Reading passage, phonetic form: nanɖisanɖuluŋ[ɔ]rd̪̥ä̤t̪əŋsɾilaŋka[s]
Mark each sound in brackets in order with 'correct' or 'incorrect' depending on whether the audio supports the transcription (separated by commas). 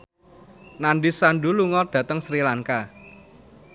correct, incorrect